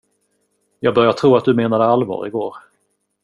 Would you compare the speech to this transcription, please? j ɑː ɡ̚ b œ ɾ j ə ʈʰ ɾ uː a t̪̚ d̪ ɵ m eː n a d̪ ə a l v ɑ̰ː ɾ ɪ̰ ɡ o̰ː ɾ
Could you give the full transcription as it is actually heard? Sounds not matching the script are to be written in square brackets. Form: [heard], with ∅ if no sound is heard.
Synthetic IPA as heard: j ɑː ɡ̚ b œ ɾ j [a] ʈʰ ɾ uː a t̪̚ d̪ ɵ m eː n a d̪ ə a l v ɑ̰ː ɾ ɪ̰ ɡ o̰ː ɾ